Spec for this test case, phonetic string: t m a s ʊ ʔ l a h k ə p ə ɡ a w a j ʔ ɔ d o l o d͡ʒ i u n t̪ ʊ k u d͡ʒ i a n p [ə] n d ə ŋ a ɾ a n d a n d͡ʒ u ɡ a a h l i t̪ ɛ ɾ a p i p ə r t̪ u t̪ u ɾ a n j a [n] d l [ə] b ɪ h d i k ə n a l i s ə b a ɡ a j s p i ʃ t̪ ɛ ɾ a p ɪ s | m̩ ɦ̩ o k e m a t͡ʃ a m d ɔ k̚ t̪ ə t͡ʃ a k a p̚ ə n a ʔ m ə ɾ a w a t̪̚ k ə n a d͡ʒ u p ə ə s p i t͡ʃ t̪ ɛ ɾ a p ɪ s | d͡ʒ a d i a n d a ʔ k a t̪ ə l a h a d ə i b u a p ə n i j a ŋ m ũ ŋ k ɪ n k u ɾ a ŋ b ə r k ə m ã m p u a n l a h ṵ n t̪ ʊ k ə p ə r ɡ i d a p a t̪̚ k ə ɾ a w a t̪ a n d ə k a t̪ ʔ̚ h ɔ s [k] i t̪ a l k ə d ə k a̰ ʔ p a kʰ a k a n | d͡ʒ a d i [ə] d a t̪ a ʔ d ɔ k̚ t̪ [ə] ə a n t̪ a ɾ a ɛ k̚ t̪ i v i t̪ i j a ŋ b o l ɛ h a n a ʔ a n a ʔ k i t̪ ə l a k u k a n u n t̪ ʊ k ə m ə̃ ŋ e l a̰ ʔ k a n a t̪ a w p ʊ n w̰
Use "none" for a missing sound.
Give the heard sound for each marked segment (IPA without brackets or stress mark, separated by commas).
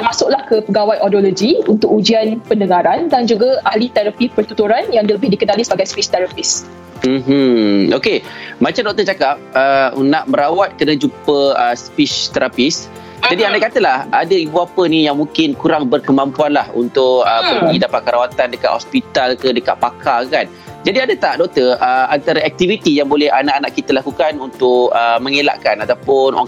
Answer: ə, ŋ, ə, p, a, ə